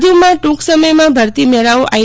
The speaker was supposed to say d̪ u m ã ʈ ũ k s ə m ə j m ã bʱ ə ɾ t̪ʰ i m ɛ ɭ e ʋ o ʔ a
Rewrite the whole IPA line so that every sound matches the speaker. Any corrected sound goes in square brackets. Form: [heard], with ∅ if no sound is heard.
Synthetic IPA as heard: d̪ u m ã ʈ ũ k s ə m ə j m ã bʱ ə ɾ [t̪] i m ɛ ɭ [a] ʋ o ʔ a